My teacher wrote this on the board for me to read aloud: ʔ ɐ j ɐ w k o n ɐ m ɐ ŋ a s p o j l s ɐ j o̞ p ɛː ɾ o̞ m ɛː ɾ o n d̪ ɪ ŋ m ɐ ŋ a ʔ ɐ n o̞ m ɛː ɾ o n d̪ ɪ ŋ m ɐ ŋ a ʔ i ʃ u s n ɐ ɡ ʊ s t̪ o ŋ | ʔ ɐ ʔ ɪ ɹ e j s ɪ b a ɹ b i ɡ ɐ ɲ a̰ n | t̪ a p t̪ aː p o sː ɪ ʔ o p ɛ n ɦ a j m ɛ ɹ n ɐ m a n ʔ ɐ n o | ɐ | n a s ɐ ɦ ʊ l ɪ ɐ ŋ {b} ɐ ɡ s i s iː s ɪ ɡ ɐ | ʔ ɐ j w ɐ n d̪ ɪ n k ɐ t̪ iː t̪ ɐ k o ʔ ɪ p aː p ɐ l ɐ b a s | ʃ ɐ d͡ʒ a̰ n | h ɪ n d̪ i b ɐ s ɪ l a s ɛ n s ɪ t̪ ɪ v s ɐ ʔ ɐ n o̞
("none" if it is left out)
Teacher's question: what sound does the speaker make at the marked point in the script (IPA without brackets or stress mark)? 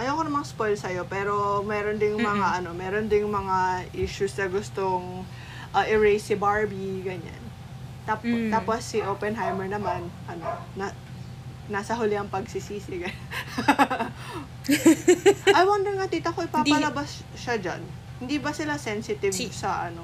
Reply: p